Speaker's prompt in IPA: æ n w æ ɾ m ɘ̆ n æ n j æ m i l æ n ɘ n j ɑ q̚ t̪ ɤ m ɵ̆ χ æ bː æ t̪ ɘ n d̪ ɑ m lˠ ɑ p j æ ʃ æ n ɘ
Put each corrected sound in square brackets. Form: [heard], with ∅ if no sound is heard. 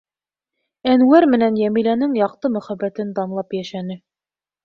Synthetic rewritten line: æ n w æ ɾ m ɘ̆ n æ n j æ m i l æ n ɘ [ŋ] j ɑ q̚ t̪ ɤ m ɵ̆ χ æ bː æ t̪ ɘ n d̪ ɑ m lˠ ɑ p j æ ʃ æ n ɘ